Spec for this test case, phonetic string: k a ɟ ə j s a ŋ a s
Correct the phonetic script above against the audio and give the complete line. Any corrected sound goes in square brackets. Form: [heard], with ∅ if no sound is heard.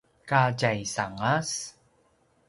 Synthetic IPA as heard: k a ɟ [a] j s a ŋ a s